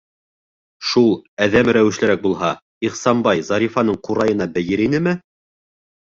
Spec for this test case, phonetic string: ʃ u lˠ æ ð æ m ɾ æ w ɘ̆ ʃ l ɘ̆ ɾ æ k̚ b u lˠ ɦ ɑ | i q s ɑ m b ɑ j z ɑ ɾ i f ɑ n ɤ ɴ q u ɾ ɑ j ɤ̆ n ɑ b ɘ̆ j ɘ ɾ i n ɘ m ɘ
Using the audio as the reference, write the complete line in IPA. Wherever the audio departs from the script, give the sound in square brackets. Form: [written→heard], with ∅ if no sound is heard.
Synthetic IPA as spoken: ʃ u lˠ æ ð æ m ɾ æ w ɘ̆ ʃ l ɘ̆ ɾ æ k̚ b u lˠ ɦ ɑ | i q s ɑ m b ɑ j z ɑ ɾ i f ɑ n ɤ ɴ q u ɾ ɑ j ɤ̆ n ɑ b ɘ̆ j ɘ ɾ i n ɘ m ɘ